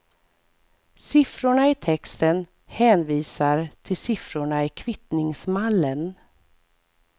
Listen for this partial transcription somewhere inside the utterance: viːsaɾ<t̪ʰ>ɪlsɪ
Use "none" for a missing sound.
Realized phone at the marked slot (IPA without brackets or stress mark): t̪ʰ